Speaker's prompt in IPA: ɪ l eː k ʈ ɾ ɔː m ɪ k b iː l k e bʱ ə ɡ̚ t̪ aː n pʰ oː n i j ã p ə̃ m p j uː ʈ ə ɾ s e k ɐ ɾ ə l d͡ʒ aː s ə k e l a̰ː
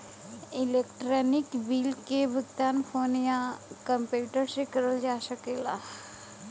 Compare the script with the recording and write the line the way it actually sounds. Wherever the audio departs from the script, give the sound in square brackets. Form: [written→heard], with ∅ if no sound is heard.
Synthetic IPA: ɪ l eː k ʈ ɾ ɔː [m→n] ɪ k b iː l k e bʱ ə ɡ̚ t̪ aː n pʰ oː n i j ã [p→k] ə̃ m p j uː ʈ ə ɾ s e k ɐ ɾ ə l d͡ʒ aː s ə k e l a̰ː